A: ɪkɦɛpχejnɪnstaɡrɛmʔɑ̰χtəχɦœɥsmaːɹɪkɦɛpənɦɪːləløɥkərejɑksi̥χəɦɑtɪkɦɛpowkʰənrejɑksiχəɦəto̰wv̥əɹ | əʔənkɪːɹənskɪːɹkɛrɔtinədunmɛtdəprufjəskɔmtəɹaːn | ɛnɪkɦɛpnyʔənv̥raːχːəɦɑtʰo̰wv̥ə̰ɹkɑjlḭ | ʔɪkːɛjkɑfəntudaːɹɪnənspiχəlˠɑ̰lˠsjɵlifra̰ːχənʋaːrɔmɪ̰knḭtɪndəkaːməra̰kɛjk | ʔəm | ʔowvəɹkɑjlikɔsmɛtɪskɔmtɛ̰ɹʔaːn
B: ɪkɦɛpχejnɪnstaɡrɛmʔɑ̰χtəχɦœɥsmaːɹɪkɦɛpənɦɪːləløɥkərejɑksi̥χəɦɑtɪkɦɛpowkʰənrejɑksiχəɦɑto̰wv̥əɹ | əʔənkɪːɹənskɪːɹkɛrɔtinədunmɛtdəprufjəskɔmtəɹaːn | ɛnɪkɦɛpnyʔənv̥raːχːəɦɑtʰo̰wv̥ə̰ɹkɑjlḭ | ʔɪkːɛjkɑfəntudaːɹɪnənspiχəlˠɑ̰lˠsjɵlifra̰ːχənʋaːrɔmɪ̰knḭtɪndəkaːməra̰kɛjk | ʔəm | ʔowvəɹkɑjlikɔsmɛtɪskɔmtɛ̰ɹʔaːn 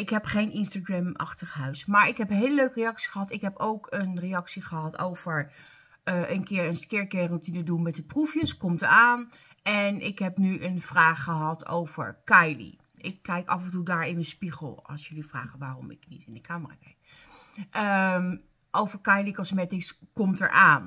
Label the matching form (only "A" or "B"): B